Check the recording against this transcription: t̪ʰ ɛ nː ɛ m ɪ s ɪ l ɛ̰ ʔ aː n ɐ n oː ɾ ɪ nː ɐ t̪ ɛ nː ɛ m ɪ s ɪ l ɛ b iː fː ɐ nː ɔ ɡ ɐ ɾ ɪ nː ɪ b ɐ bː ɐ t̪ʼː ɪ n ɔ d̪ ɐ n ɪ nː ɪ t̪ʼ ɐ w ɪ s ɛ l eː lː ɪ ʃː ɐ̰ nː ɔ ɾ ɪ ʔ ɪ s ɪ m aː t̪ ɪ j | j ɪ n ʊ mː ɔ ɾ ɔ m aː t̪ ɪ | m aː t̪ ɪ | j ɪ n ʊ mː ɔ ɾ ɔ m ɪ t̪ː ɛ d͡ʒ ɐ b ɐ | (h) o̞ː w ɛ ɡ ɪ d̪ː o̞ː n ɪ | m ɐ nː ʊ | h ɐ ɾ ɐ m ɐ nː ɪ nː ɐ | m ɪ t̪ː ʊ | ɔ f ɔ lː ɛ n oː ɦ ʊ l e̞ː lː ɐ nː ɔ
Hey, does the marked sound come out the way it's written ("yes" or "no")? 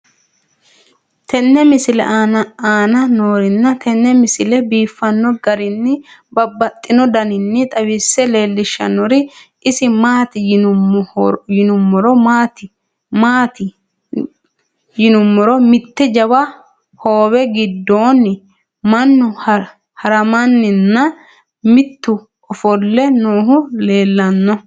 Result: yes